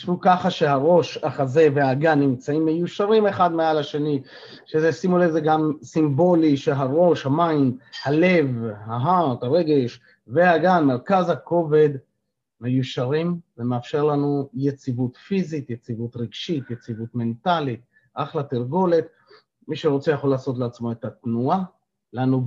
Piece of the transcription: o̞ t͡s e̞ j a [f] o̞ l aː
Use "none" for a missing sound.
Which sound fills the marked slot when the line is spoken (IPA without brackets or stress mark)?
χ